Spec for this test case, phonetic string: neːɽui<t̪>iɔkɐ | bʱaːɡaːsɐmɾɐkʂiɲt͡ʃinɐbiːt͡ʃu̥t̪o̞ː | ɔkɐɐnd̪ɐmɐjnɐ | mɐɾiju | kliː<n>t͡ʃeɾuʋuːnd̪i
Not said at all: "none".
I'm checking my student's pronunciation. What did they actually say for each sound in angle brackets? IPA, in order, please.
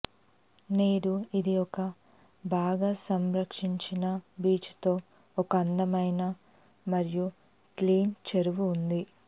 d̪, n

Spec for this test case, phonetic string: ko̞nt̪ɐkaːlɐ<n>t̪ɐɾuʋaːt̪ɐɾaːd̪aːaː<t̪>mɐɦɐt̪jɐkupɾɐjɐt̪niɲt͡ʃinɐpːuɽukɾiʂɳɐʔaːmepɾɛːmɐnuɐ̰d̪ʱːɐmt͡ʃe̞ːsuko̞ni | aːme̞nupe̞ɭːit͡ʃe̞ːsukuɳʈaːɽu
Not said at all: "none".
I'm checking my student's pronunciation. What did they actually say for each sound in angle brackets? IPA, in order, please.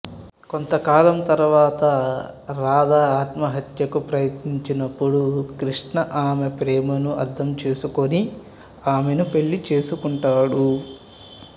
m, t̪

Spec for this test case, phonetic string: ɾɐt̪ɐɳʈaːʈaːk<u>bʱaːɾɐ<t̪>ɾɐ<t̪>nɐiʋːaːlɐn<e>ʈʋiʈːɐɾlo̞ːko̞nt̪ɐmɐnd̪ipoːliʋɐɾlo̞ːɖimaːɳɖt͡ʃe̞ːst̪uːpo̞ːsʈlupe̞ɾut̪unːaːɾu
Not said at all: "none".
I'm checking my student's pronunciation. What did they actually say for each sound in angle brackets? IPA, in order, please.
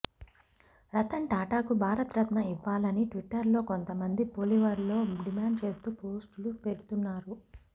u, t̪, t̪, i

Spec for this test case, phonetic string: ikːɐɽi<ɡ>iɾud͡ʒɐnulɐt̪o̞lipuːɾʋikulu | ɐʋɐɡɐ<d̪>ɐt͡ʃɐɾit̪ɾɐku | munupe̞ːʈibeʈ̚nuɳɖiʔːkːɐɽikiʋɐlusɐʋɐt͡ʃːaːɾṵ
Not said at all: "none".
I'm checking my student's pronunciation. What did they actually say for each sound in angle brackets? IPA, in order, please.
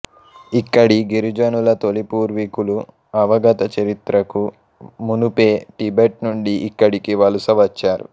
ɡ, t̪

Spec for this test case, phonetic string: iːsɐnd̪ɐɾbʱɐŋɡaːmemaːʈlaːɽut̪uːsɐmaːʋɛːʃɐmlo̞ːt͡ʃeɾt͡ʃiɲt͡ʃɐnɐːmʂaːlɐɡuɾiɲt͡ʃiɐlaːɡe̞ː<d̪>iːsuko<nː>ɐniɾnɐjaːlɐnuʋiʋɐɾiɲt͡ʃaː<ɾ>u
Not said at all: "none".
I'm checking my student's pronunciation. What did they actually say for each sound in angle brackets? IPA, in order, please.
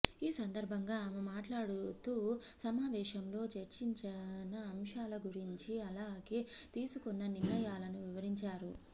t̪, nː, ɾ

